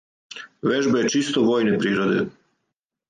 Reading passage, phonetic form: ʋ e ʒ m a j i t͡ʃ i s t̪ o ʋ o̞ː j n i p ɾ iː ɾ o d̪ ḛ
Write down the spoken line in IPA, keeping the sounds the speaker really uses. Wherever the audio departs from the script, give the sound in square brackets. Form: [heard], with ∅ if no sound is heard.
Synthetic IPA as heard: ʋ e ʒ [b] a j [e] t͡ʃ i s t̪ o ʋ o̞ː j n [e] p ɾ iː ɾ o d̪ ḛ